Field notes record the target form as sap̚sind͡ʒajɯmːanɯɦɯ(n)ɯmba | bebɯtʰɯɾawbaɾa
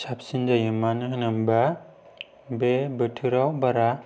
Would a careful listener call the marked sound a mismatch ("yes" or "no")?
no